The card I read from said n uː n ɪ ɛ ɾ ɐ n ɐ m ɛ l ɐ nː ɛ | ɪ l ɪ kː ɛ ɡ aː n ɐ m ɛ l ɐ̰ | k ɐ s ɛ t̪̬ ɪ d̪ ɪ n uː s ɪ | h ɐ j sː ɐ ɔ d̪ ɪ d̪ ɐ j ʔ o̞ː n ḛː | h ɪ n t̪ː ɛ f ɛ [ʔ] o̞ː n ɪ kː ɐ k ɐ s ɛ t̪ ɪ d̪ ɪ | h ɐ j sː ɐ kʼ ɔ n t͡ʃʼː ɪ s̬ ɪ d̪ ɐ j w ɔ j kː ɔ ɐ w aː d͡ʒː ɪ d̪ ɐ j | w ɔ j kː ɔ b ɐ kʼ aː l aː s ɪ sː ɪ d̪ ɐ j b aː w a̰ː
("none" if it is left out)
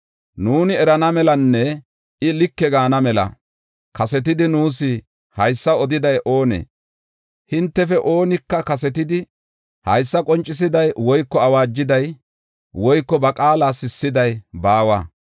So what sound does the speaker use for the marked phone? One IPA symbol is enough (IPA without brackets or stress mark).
ʔ